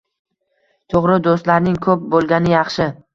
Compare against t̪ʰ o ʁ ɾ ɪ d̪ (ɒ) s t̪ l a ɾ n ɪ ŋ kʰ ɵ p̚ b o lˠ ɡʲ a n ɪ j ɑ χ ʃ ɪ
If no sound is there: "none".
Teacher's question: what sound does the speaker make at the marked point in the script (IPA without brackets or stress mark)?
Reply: o